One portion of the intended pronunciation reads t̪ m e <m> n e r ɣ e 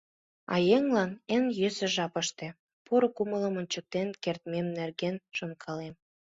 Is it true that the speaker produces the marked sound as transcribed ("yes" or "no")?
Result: yes